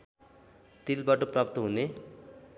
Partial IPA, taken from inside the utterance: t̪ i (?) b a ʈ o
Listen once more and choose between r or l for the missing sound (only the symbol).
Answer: l